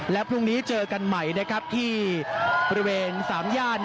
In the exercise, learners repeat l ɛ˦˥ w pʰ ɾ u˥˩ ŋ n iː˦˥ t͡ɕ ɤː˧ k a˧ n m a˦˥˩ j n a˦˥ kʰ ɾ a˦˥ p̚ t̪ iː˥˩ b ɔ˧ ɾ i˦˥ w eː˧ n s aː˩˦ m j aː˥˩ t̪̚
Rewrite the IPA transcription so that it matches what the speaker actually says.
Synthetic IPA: l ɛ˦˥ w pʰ ɾ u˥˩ ŋ n iː˦˥ t͡ɕ ɤː˧ k a˧ n m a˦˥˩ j n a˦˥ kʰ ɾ a˦˥ p̚ t̪ʰ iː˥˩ b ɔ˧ ɾ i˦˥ w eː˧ n s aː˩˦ m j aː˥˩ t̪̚